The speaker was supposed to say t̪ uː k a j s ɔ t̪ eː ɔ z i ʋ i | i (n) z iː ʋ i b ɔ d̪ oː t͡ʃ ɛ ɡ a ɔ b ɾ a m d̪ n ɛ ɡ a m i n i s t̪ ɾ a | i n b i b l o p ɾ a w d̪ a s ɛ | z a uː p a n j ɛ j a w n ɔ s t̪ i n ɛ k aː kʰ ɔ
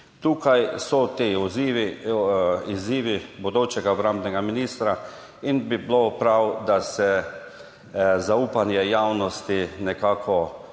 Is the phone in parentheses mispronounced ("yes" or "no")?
yes